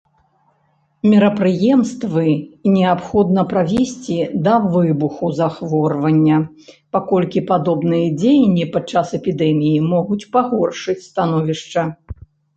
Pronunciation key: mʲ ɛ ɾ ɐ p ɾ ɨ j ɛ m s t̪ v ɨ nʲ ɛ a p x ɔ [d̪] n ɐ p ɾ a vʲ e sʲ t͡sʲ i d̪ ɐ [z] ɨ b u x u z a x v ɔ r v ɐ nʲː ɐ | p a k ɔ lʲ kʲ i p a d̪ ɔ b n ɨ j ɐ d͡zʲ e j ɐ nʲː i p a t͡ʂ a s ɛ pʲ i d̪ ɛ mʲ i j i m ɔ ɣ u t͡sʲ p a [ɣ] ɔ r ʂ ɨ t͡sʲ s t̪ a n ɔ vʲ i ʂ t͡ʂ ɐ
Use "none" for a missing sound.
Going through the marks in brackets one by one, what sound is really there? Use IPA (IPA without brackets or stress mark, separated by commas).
d̪, v, ɣ